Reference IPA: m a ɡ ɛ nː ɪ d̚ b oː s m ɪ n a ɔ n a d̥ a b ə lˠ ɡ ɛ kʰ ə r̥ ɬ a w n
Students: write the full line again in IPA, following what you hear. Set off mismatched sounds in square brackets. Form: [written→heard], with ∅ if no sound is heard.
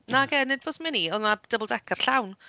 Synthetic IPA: [m→n] a ɡ ɛ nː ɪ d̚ b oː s m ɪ n [a→i] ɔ n a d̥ [a→ə] b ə lˠ [ɡ→d] ɛ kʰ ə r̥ ɬ a w n